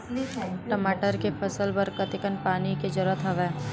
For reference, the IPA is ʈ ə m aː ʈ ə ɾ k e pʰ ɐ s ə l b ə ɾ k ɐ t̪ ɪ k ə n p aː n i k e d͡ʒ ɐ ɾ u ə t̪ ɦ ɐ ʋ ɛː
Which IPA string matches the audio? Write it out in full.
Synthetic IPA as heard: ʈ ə m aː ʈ ə ɾ k e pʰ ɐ s ə l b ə ɾ k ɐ t̪ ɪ k ə n p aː n i k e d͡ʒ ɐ ɾ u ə t̪ ɦ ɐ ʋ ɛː